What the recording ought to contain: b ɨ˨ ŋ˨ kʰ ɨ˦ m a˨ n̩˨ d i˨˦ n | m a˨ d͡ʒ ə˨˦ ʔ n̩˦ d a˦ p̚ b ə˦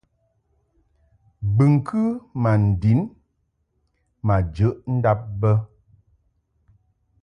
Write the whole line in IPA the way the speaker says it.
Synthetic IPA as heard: b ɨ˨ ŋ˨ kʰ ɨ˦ m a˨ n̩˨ d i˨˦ n | m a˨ d͡ʒ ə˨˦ ʔ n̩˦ d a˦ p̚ b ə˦